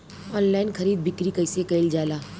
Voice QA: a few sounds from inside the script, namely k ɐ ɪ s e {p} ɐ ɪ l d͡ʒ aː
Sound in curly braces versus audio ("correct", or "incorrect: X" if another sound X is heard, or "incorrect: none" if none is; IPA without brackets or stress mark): incorrect: k